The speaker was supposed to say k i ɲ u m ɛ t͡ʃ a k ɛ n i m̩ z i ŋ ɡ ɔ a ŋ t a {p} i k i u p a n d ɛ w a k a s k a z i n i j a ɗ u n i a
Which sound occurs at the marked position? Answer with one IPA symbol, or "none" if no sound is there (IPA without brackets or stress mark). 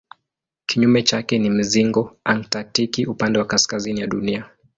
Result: t